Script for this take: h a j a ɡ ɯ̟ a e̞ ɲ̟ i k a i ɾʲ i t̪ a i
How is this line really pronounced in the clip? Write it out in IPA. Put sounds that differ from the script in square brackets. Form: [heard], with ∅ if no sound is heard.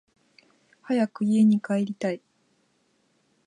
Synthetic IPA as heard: h a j a [k] ɯ̟ [i] e̞ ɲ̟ i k a [e] ɾʲ i t̪ a i